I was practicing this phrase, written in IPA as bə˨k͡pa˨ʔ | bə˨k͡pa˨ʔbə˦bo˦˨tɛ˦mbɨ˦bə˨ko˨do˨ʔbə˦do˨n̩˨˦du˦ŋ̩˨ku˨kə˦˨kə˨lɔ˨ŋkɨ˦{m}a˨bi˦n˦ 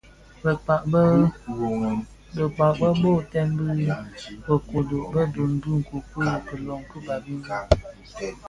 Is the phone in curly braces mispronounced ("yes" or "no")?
yes